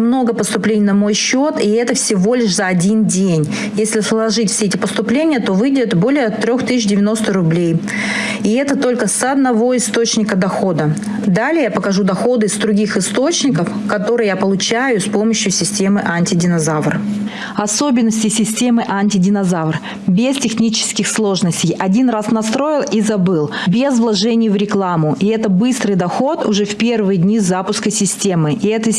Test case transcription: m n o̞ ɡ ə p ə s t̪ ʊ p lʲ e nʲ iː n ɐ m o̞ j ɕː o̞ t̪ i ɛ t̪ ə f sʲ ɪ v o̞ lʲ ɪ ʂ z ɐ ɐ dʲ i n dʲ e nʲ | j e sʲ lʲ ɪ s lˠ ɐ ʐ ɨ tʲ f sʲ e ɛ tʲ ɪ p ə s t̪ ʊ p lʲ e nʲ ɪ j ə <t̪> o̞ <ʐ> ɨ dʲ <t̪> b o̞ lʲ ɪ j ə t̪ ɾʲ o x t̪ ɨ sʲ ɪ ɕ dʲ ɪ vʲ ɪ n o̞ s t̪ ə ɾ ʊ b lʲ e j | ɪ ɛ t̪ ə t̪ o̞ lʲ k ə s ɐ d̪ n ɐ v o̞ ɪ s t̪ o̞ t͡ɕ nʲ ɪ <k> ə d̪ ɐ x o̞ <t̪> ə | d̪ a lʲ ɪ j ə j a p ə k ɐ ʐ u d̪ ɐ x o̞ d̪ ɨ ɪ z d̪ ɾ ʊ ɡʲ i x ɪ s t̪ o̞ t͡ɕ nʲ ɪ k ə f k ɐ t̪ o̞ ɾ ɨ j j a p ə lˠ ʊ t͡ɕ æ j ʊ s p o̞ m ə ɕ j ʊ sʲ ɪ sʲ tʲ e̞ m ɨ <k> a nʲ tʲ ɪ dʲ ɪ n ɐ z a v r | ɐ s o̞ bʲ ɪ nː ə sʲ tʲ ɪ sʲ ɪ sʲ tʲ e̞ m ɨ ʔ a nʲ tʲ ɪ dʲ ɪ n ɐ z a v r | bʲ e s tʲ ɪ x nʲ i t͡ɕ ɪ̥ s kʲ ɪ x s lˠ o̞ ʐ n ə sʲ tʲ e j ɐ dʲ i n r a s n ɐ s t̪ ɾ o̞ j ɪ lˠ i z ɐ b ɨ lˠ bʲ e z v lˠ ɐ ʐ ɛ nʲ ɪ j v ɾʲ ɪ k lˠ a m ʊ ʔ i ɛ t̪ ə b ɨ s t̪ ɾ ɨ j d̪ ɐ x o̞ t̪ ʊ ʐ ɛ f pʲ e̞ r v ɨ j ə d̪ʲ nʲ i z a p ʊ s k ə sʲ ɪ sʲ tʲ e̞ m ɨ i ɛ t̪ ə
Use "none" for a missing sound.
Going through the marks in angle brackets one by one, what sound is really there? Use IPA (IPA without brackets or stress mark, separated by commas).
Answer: t̪, v, t̪, k, d̪, ʔ